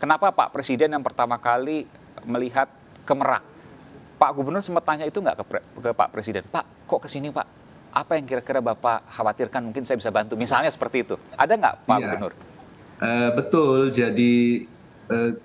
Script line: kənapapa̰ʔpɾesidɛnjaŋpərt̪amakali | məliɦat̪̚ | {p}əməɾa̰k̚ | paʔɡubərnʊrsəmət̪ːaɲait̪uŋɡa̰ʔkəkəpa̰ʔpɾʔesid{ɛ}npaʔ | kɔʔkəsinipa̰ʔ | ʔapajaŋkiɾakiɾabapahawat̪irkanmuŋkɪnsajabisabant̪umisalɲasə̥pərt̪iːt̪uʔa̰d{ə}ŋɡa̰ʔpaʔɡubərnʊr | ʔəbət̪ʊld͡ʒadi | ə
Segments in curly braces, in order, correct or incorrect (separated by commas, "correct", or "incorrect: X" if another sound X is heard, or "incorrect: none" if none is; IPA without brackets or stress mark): incorrect: k, correct, incorrect: a